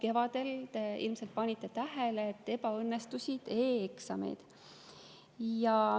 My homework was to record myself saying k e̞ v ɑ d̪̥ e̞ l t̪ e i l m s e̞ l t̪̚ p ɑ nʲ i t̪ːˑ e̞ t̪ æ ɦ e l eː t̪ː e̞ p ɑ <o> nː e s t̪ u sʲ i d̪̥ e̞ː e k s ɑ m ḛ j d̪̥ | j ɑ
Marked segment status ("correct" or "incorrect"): incorrect